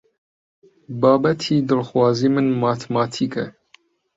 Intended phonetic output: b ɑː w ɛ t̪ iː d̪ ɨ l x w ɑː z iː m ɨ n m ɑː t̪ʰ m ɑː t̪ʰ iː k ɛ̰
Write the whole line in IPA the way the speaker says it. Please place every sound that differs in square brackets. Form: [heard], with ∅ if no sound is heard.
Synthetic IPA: b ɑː [b] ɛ [t̪ʰ] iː d̪ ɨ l x w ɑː z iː m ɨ n m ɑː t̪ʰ m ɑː t̪ʰ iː k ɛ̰